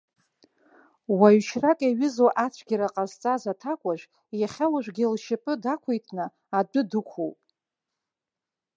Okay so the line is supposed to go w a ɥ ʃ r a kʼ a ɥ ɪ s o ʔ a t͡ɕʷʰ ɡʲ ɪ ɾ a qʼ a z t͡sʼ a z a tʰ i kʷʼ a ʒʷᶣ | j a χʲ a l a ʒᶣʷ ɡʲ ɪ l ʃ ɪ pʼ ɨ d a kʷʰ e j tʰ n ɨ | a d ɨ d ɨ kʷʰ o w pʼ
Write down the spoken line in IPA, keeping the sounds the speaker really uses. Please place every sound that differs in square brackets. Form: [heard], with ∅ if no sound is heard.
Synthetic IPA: w a ɥ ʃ r a kʼ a ɥ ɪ [z] o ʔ a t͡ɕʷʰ ɡʲ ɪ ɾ a qʼ a z t͡sʼ a z a tʰ [a] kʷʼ a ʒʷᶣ | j a χʲ a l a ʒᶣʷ ɡʲ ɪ l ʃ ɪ pʼ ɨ d a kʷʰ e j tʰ n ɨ | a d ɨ d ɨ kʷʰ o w pʼ

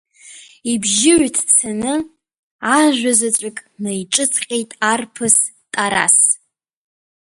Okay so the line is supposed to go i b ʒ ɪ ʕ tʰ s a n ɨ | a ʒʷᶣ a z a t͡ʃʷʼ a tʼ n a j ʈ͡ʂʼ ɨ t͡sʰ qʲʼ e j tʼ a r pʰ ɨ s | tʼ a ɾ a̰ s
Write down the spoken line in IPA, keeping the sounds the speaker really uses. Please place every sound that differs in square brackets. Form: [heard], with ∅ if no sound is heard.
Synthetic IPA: i b ʒ ɪ ʕ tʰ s a n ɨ | a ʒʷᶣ a z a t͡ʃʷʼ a [kʼ] n a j ʈ͡ʂʼ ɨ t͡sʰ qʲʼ e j tʼ a r pʰ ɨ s | tʼ a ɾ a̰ s

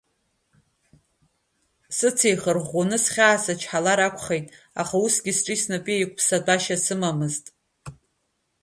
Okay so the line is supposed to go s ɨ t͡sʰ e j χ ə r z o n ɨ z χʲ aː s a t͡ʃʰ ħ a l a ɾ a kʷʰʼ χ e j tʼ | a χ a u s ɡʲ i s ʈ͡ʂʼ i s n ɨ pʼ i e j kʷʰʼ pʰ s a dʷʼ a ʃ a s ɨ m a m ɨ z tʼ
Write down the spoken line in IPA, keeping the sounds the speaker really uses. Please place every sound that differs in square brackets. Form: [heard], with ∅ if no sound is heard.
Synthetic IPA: s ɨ t͡sʰ e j χ ə r [ʁ] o n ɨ [s] χʲ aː s a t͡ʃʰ ħ a l a ɾ a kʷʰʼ χ e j tʼ | a χ a u s ɡʲ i s ʈ͡ʂʼ i s n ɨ pʼ i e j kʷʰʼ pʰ s a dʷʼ a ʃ a s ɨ m a m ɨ z tʼ

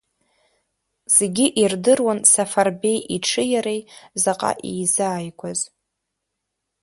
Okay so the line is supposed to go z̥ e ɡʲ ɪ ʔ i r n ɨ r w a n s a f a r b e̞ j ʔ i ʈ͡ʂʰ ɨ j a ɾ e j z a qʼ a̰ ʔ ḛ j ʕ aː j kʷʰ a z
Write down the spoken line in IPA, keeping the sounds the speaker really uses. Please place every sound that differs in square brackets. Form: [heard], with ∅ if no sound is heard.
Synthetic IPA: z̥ e ɡʲ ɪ ʔ i r [d] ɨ r w a n s a f a r b e̞ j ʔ i ʈ͡ʂʰ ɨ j a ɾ e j z a qʼ a̰ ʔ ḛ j [z] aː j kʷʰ a z

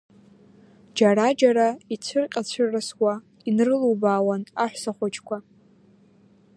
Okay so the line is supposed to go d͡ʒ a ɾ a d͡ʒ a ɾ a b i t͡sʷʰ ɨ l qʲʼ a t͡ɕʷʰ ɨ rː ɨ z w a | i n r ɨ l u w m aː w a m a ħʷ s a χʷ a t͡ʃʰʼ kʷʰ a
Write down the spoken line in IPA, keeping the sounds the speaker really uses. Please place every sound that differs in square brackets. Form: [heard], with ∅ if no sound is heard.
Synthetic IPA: d͡ʒ a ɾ a d͡ʒ a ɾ a [∅] i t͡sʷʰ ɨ [r] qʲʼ a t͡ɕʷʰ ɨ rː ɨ [s] w a | i n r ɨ l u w [b] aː w a [n] a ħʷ s a χʷ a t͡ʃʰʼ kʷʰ a

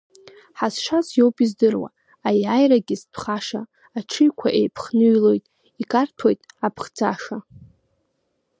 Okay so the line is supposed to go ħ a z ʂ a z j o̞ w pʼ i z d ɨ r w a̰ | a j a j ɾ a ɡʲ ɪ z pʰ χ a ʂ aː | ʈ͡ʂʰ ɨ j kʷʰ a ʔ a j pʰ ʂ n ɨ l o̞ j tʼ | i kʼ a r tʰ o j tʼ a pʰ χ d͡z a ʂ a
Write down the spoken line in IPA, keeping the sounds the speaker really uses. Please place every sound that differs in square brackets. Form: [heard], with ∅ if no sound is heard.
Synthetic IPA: ħ a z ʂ a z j o̞ w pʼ i z d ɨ r w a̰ | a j a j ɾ a ɡʲ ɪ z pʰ χ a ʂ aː | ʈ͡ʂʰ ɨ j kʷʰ a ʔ [e] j pʰ [χ] n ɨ l o̞ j tʼ | i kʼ a r tʰ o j tʼ a pʰ χ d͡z a ʂ a

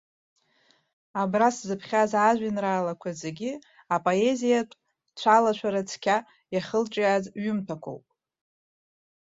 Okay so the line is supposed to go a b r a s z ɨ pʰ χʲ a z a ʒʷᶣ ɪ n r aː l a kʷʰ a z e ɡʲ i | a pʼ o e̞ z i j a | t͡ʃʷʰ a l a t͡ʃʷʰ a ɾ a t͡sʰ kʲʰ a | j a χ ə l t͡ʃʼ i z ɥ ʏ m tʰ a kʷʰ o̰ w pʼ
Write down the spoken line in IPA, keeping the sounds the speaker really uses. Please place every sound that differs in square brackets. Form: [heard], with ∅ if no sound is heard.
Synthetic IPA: a b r a s z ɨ pʰ χʲ a z a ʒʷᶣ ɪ n r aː l a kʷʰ a z e ɡʲ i | a pʼ o e̞ z i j a | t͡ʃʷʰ a l a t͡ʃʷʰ a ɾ a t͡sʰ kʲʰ a | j a χ ə l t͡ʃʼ [a] z ɥ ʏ m tʰ a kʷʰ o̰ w pʼ

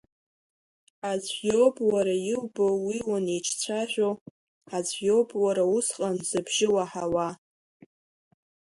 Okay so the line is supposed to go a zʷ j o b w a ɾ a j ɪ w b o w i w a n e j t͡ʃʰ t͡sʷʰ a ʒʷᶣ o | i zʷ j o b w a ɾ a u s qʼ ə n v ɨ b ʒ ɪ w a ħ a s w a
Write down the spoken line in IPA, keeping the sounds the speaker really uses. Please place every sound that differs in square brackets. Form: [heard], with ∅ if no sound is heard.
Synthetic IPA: a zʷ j o b w a ɾ a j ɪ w b o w i w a n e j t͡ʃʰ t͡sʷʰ a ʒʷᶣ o | [a] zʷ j o b w a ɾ a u s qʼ [a] n [z] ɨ b ʒ ɪ w a ħ a [∅] w a

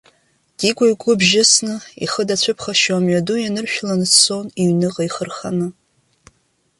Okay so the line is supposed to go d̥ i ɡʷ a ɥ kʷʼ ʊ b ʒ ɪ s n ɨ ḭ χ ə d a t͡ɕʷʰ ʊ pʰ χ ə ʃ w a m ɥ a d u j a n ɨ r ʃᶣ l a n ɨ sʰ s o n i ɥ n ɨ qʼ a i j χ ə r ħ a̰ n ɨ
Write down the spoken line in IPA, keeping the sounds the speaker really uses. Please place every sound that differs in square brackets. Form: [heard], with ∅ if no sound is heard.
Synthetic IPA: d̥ i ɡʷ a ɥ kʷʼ ʊ b ʒ ɪ s n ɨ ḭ χ ə d a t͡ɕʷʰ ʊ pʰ χ [a] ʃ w a m ɥ a d u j a n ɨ r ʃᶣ l a n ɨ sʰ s o n i ɥ n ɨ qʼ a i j χ ə r [χ] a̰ n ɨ

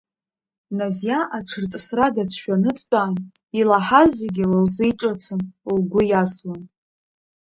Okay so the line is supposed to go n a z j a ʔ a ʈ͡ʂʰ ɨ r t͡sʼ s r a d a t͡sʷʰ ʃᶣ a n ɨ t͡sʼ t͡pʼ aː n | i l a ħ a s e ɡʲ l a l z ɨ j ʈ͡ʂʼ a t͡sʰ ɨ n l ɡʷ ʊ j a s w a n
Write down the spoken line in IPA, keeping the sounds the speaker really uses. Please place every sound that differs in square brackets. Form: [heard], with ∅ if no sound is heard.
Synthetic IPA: n a z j a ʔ a ʈ͡ʂʰ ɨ r t͡sʼ s r a d a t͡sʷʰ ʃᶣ a n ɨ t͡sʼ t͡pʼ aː n | i l a ħ a [z] e ɡʲ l a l z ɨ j ʈ͡ʂʼ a t͡sʰ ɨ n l ɡʷ ʊ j a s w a n

